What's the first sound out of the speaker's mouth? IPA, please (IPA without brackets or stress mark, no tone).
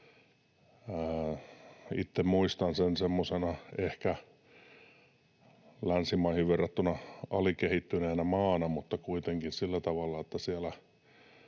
i